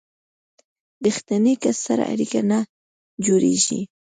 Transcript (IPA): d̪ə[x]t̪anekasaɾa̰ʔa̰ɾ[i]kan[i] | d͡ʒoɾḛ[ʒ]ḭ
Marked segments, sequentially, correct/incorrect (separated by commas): correct, correct, incorrect, correct